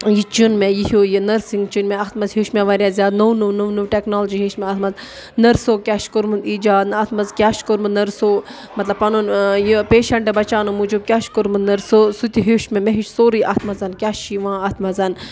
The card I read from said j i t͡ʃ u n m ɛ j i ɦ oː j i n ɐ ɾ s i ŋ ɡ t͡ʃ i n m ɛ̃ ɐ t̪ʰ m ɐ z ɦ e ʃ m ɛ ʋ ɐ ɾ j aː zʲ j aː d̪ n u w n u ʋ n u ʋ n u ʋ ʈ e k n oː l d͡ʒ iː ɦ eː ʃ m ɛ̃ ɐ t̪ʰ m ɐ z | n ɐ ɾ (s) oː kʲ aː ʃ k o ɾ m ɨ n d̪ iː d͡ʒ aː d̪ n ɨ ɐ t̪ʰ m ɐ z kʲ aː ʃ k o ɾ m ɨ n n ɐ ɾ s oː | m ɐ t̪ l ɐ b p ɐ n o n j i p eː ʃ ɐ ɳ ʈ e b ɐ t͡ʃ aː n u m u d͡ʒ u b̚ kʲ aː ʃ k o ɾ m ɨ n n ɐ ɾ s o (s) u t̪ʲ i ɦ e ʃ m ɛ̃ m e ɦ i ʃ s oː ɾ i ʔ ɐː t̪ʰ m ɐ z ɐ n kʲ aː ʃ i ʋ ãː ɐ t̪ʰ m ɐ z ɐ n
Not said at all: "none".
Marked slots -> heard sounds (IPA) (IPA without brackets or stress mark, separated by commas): s, s